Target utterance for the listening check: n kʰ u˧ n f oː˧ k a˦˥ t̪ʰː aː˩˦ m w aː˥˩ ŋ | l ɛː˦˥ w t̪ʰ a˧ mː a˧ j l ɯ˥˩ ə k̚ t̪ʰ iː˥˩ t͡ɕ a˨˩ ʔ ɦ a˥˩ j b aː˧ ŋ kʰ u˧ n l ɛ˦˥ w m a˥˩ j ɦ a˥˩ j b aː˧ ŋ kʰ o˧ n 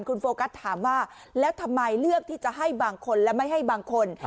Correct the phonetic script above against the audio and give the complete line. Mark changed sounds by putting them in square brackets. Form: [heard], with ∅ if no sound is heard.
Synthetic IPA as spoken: n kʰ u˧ n f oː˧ k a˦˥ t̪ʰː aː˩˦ m w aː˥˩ [∅] | l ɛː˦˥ w t̪ʰ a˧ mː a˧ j l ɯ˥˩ ə k̚ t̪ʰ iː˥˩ t͡ɕ a˨˩ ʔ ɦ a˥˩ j b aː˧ ŋ kʰ [o˧] n l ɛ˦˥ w m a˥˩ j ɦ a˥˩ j b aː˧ ŋ kʰ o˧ n